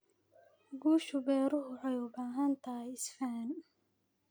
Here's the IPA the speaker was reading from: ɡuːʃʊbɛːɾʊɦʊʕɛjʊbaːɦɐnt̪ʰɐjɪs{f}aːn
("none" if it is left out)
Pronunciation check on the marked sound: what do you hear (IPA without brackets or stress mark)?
f